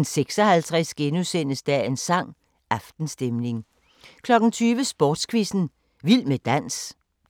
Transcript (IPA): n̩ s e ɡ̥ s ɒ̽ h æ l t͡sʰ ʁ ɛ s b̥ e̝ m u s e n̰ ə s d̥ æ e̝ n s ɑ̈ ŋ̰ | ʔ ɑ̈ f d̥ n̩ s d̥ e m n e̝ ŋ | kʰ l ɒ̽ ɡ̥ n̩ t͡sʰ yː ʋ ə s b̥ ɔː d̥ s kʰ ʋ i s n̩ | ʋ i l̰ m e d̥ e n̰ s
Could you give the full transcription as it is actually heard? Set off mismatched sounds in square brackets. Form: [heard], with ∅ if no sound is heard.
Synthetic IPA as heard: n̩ s e ɡ̥ s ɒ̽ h æ l t͡sʰ ʁ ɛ s [ɡ̥] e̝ [n] u s e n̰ ə s d̥ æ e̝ n s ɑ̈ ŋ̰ | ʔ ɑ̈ f d̥ n̩ s d̥ e m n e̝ ŋ | kʰ l ɒ̽ ɡ̥ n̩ t͡sʰ yː ʋ ə s b̥ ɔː d̥ s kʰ ʋ i s n̩ | ʋ i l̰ m e d̥ [æ] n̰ s